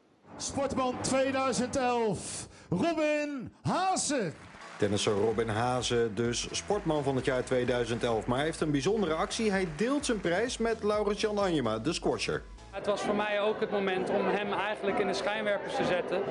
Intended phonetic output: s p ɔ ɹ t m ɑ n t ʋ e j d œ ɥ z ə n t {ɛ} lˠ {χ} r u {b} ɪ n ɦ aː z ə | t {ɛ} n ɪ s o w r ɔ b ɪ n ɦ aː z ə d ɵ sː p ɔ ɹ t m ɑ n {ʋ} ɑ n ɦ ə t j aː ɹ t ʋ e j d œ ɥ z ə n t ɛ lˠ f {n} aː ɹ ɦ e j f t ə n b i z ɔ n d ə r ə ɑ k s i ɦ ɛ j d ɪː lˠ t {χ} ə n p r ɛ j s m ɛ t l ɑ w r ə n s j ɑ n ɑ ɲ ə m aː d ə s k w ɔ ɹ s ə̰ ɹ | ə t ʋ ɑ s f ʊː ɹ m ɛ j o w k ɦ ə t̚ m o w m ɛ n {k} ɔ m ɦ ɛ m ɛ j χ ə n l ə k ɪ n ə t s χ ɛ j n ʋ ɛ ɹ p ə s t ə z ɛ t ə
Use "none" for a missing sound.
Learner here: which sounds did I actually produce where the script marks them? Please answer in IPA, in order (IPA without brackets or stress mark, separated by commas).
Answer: ɛ, f, b, ɛ, v, m, s, t